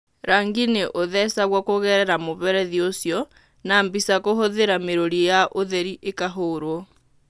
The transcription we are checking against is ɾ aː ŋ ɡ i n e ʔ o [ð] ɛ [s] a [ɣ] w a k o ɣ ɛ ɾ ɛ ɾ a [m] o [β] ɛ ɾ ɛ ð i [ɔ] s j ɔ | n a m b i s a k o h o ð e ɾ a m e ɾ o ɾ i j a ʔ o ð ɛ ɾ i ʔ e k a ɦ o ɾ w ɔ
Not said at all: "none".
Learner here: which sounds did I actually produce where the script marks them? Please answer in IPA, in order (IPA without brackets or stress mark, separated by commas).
ð, s, ɣ, m, β, o